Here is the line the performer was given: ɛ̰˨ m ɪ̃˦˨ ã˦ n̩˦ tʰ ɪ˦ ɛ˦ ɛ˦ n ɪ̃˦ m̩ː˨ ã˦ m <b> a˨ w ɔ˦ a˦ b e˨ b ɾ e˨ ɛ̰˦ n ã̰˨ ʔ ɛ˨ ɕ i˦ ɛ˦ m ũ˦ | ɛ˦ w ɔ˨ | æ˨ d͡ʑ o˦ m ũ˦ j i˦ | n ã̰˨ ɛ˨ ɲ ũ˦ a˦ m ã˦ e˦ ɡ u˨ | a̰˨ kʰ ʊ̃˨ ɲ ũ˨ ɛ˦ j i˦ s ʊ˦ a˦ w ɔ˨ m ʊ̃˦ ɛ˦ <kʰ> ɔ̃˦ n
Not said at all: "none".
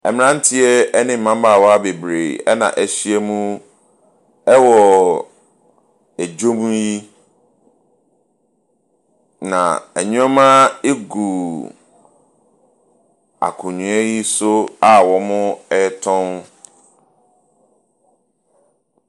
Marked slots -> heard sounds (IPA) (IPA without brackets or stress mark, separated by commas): b, tʰ